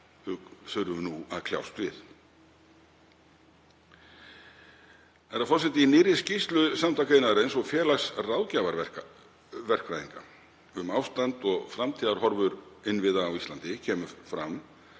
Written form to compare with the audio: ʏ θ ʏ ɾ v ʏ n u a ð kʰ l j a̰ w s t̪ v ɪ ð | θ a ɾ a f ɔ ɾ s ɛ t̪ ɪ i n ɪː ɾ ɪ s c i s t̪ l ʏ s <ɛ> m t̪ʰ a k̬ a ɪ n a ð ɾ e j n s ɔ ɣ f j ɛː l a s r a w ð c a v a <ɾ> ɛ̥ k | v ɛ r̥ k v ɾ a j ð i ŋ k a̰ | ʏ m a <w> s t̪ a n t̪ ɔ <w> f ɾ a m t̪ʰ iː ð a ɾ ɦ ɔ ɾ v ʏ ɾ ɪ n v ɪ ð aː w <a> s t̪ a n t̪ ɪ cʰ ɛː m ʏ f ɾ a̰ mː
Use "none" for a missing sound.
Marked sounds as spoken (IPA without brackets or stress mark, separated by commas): a, ɾ, w, ɣ, i